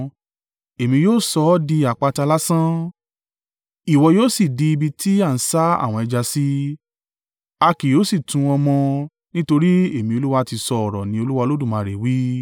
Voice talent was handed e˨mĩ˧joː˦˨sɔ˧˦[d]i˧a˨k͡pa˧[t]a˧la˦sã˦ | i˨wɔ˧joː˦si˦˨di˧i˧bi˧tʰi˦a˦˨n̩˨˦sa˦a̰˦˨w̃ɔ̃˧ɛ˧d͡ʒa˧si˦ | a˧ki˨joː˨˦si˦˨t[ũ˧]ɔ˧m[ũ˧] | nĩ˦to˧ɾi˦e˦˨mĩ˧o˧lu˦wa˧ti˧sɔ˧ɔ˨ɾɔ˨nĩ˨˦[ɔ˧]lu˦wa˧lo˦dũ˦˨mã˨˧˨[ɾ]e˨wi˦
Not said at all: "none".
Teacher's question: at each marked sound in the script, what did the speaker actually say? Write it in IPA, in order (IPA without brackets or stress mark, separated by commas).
d, t, ũ˧, ɔ̃˧, o˧, ɾ